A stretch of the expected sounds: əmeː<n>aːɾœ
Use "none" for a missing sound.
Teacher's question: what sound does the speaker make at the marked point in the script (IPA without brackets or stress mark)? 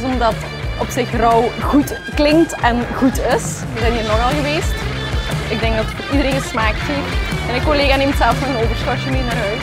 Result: n